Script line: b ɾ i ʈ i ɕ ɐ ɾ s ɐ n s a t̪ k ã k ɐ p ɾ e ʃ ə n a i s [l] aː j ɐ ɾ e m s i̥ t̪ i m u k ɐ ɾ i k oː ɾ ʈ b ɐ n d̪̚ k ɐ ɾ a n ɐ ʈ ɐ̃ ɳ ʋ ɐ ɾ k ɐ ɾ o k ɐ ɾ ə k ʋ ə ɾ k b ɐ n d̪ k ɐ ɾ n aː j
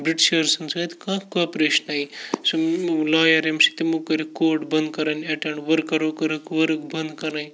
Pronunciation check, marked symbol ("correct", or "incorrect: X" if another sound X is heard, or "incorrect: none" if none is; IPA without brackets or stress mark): correct